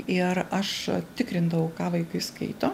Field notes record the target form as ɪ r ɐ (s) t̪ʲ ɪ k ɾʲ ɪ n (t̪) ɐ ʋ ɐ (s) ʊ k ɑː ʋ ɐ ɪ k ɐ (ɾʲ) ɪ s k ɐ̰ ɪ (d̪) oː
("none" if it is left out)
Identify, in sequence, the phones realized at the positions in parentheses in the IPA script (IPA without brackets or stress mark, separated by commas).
ʃ, d̪, none, none, t̪